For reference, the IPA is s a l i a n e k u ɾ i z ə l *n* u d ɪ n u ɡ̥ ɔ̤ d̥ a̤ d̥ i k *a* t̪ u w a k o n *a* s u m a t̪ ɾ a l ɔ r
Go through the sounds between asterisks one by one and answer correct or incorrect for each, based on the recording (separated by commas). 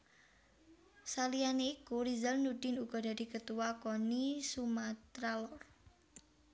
correct, incorrect, incorrect